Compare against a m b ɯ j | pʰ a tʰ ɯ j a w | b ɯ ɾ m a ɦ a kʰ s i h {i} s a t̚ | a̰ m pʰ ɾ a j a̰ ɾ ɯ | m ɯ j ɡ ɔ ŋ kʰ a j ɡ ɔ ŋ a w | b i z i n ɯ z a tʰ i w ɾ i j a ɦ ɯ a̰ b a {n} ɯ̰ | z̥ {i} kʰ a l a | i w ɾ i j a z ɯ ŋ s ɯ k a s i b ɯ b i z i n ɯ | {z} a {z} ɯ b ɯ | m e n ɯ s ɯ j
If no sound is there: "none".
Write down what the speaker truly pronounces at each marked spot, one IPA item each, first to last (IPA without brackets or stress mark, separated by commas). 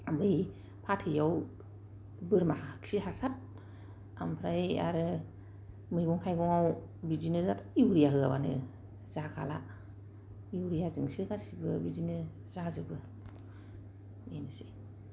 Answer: a, n, a, z, z